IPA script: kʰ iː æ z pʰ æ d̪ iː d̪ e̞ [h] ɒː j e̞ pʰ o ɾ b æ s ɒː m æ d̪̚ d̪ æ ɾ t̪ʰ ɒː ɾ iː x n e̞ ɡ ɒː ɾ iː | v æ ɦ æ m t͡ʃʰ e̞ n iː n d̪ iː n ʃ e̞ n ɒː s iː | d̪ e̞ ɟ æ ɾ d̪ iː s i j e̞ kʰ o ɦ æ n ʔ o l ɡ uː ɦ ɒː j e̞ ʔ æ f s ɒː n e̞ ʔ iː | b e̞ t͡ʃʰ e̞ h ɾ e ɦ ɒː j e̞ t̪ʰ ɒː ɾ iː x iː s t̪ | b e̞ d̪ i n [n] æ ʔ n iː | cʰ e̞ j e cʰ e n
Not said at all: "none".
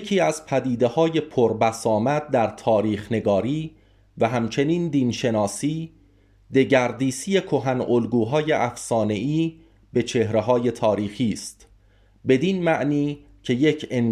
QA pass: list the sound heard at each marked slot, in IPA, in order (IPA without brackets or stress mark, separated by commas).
h, m